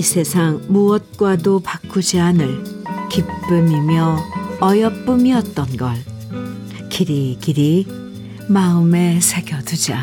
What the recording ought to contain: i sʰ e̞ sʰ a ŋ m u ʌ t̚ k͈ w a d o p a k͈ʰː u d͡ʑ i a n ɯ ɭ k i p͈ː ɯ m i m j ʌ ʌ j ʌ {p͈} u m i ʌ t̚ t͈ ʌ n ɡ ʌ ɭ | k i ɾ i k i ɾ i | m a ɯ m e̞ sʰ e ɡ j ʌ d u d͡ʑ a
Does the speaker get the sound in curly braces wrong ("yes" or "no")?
no